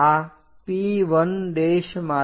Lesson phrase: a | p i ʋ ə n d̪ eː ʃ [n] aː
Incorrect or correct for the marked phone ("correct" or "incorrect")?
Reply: incorrect